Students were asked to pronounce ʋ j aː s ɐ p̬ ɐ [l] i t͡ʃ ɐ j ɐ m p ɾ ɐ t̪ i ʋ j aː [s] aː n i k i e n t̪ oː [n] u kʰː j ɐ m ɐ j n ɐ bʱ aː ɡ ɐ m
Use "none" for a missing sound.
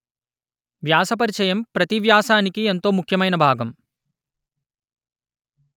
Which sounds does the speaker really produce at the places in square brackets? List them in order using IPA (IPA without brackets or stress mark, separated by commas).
ɾ, s, m